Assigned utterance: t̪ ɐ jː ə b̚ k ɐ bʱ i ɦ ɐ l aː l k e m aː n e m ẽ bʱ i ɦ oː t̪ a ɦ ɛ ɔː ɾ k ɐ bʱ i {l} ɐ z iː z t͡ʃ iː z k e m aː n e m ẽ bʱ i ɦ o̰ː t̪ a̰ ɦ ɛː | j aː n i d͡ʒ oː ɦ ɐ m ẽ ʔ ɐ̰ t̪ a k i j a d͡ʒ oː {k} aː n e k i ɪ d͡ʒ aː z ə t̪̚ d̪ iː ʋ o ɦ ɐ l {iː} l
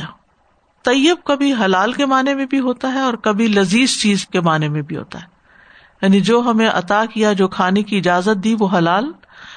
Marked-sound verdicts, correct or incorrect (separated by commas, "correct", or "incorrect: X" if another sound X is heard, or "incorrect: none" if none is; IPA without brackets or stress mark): correct, incorrect: kʰ, incorrect: aː